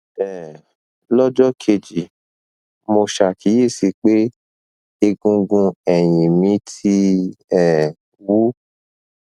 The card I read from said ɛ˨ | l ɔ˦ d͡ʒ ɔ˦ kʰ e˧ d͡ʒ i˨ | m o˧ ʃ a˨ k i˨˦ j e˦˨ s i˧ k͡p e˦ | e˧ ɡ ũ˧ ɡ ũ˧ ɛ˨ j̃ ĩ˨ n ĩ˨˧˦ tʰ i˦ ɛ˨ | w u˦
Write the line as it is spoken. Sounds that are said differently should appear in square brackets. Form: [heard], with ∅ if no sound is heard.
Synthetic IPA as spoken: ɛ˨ | l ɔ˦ d͡ʒ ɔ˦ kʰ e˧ d͡ʒ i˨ | m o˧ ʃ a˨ k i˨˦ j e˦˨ s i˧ k͡p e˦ | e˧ ɡ ũ˧ ɡ ũ˧ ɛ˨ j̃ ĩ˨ [m] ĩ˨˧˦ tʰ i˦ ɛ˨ | w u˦